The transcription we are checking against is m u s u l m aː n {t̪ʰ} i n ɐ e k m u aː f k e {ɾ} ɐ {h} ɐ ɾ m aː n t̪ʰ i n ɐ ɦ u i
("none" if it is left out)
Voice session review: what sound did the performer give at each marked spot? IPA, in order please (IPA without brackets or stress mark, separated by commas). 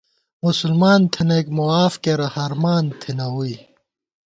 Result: t̪ʰ, ɾ, h